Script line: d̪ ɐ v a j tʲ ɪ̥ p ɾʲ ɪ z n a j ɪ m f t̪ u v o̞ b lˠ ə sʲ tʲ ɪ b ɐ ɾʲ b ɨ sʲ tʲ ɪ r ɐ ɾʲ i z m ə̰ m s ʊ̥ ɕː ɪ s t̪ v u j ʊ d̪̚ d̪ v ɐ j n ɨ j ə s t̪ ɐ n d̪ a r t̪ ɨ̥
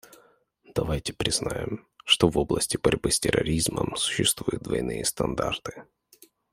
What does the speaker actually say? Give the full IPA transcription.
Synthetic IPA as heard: d̪ ɐ v a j tʲ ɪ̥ p ɾʲ ɪ z n a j ɪ m ʂ t̪ o v o̞ b lˠ ə sʲ tʲ ɪ b ɐ ɾʲ b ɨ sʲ tʲ ɪ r ɐ ɾʲ i z m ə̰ m s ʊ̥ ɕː ɪ s t̪ v u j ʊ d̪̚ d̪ v ɐ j n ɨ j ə s t̪ ɐ n d̪ a r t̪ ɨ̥